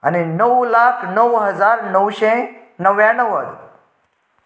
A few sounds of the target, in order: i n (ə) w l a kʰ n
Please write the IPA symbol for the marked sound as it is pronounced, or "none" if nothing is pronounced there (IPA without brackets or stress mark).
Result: ə